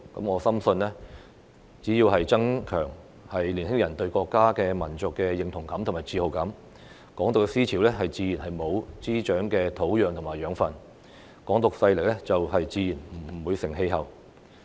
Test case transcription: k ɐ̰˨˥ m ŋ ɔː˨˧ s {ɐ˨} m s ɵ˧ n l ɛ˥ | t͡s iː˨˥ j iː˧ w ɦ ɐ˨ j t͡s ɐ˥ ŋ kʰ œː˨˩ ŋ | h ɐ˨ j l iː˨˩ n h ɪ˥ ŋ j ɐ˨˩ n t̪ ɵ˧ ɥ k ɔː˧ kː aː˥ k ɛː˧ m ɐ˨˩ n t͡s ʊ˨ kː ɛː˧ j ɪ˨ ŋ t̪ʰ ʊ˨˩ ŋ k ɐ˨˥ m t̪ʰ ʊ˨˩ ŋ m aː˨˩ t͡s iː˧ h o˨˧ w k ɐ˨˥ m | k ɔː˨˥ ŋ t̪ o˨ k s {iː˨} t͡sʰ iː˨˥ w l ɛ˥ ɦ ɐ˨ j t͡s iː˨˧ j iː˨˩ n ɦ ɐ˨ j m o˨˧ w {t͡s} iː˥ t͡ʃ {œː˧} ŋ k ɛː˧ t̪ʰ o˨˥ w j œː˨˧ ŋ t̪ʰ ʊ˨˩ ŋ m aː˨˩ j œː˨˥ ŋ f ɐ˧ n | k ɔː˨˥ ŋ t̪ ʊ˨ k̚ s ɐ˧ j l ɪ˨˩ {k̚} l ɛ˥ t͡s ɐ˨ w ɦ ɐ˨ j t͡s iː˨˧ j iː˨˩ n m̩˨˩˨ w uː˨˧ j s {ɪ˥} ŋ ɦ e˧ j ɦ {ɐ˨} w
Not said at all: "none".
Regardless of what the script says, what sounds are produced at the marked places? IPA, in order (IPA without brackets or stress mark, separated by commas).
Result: ɐ˥, iː˥, t͡s, œː˨˥, k̚, ɪ˨˩, ɐ˨